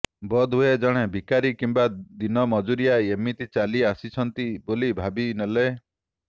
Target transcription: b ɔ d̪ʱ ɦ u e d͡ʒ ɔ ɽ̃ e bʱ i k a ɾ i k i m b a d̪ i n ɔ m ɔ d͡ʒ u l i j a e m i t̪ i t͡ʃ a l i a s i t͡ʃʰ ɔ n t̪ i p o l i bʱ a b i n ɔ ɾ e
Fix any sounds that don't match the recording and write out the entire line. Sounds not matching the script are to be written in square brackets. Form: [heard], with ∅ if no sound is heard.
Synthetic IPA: b ɔ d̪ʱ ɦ u e d͡ʒ ɔ ɽ̃ e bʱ i k a ɾ i k i m b a d̪ i n ɔ m ɔ d͡ʒ u [ɾ] i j a e m i t̪ i t͡ʃ a l i a s i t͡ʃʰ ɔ n t̪ i [b] o l i bʱ a b i n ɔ [l] e